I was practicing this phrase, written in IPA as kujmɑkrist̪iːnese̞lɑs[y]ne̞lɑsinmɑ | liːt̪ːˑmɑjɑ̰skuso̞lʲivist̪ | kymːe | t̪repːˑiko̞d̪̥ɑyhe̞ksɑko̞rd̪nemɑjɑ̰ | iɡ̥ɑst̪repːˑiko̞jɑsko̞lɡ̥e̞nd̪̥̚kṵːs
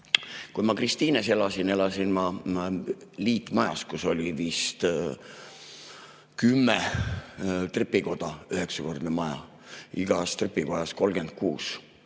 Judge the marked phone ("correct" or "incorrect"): incorrect